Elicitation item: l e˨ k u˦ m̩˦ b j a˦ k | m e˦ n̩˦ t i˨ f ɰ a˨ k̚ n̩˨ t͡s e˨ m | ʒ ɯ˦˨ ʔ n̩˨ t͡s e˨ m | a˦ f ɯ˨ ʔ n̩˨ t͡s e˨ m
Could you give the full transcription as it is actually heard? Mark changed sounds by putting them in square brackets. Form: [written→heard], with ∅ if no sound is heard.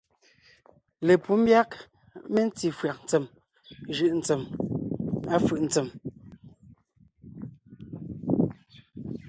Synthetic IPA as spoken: l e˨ [k→p] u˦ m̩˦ b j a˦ k | m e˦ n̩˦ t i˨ f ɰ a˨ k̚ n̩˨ t͡s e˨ m | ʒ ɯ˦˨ ʔ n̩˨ t͡s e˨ m | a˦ f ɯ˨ ʔ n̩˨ t͡s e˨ m